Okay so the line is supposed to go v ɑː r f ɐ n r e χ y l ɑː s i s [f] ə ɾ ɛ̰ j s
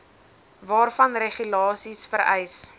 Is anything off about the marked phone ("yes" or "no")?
no